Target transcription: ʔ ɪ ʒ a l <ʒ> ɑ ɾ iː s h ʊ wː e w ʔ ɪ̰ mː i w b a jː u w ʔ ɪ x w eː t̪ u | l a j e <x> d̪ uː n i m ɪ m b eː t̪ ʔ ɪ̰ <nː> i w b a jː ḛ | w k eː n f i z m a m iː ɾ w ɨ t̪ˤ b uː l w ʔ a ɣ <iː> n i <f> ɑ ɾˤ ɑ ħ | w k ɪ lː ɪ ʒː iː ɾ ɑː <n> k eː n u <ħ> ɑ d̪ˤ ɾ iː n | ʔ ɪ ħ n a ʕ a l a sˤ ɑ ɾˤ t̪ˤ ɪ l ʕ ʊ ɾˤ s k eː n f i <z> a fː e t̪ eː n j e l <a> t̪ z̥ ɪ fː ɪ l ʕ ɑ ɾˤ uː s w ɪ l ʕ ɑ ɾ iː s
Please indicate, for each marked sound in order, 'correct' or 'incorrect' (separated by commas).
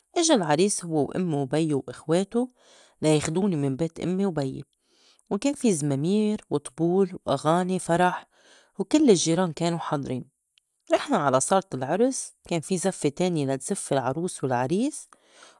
incorrect, correct, incorrect, incorrect, correct, correct, correct, correct, correct